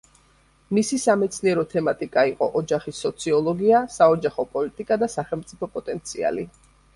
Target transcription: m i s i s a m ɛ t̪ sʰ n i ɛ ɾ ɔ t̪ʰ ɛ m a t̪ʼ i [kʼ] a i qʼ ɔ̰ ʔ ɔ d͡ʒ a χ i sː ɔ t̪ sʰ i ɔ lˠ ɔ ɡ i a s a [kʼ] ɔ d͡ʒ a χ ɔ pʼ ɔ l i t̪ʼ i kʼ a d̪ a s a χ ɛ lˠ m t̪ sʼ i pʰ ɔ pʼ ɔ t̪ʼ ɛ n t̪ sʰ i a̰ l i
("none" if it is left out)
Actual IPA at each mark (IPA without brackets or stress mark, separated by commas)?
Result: kʼ, none